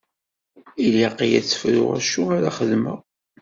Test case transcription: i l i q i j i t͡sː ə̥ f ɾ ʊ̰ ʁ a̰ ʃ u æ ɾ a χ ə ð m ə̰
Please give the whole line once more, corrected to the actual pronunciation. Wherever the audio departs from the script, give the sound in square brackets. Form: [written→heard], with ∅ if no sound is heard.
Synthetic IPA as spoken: i l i q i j [i→æ] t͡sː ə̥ f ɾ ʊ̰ ʁ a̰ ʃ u [æ→a] ɾ a χ ə ð m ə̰